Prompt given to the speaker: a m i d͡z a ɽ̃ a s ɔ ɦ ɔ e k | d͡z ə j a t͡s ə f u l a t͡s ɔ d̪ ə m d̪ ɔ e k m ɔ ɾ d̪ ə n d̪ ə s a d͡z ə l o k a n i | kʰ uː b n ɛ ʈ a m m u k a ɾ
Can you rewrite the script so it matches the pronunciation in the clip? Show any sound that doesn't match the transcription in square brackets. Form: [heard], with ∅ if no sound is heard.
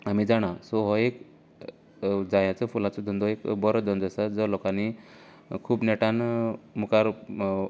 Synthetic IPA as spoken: a m i d͡z a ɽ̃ a s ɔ ɦ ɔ e k | d͡z [a] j a t͡s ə f u l a t͡s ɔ d̪ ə [n] d̪ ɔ e k [b] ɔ ɾ d̪ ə n d̪ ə s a d͡z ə l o k a n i | kʰ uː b n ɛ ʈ a [n] m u k a ɾ